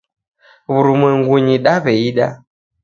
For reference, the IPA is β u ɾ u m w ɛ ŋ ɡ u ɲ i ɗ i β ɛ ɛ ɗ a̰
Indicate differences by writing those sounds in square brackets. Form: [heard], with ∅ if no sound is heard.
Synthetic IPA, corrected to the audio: β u ɾ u m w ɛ ŋ ɡ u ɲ i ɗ [a] β ɛ [i] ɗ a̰